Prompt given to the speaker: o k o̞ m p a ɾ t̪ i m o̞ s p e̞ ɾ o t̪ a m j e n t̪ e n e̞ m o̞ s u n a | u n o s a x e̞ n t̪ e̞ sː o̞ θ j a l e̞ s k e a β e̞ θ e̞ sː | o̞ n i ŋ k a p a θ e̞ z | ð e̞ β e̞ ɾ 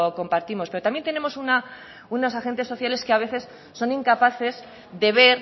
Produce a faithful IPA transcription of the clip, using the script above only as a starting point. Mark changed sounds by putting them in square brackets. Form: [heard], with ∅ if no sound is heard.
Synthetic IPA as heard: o k o̞ m p a ɾ t̪ i m o̞ s p e̞ ɾ o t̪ a m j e n t̪ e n e̞ m o̞ s u n a | u n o s a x e̞ n t̪ e̞ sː o̞ θ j a l e̞ s k e a β e̞ θ e̞ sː | o̞ n i ŋ k a p a θ e̞ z | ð e̞ β e̞ ɾ